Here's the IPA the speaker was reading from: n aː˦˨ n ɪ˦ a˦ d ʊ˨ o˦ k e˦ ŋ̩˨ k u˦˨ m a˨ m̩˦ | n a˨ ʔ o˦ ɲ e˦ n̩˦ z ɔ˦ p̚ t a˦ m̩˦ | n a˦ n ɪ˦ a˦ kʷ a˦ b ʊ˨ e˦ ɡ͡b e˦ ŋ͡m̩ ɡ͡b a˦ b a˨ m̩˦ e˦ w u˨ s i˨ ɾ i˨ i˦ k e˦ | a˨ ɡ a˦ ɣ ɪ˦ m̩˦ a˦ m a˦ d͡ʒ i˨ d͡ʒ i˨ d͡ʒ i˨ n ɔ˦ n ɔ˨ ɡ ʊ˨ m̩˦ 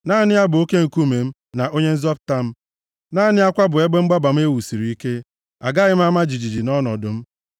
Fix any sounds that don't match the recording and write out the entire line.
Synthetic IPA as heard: n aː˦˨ n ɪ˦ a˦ b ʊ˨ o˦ k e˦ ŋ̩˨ k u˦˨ m e˨ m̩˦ | n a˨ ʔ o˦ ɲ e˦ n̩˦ z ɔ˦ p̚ t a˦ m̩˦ | n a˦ n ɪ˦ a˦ kʷ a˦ b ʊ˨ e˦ ɡ͡b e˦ ŋ͡m̩ ɡ͡b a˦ b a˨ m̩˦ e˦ w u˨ s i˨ ɾ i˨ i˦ k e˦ | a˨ ɡ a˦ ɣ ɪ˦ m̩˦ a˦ m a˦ d͡ʒ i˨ d͡ʒ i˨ d͡ʒ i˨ n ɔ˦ n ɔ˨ d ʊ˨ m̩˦

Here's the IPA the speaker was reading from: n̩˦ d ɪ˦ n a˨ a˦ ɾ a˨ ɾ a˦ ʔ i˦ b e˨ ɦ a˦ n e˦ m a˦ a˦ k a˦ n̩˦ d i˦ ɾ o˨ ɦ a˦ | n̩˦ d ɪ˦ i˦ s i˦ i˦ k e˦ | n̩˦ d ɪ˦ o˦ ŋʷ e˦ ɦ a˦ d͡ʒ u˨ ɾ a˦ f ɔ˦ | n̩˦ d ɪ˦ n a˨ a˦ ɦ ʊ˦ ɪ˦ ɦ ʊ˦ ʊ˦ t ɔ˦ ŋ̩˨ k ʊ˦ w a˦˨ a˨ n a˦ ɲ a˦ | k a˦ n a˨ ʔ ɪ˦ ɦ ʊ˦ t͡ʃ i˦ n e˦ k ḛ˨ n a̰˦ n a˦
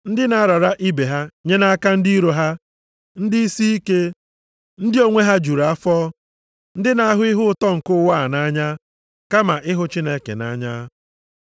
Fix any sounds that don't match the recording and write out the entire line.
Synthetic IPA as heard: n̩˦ d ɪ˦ n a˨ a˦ ɾ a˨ ɾ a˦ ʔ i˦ b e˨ ɦ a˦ ɲ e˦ n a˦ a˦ k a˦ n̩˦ d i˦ ɾ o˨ ɦ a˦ | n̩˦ d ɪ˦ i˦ s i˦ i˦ k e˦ | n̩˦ d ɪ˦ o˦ ŋʷ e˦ ɦ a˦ d͡ʒ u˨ ɾ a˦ f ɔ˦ | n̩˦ d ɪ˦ n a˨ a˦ ɦ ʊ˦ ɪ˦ ɦ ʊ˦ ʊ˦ t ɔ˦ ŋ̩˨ k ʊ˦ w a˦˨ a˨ n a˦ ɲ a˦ | k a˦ m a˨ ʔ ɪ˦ ɦ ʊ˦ t͡ʃ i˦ n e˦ k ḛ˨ n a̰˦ ɲ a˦

